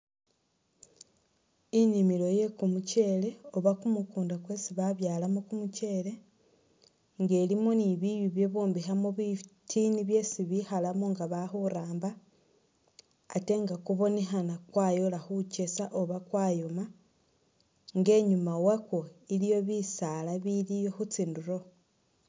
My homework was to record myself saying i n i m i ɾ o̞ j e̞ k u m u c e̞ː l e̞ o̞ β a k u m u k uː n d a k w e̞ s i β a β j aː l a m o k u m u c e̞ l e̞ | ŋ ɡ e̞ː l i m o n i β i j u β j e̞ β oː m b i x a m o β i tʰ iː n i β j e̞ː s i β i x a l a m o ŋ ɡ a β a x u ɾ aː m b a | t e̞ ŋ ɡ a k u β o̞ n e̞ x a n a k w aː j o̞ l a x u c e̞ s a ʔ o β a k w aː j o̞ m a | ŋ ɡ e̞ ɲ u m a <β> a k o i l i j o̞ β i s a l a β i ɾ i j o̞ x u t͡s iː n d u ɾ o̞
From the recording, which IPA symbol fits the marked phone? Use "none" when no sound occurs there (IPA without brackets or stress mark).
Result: w